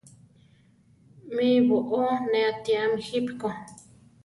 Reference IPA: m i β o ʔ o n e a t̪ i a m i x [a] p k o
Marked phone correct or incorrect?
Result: incorrect